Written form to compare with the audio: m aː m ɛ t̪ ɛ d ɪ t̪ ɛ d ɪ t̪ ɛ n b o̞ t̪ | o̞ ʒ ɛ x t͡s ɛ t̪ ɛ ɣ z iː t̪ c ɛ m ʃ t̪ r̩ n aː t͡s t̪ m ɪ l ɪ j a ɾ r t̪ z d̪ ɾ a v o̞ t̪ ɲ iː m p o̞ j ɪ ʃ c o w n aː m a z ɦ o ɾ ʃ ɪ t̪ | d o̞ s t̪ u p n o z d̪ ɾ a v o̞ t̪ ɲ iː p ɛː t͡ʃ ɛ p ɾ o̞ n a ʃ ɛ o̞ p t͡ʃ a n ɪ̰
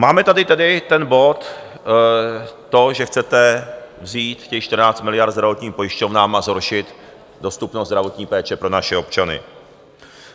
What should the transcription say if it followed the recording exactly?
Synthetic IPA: m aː m ɛ t̪ a d ɪ t̪ ɛ d ɪ t̪ ɛ n b o̞ t̪ | o̞ ʒ ɛ x t͡s ɛ t̪ ɛ v z iː t̪ c ɛ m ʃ t̪ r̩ n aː t͡s t̪ m ɪ l ɪ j a ɾ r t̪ z d̪ ɾ a v o̞ t̪ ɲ iː m p o̞ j ɪ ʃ c o v n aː m a z ɦ o ɾ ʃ ɪ t̪ | d o̞ s t̪ u p n o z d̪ ɾ a v o̞ t̪ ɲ iː p ɛː t͡ʃ ɛ p ɾ o̞ n a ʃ ɛ o̞ p t͡ʃ a n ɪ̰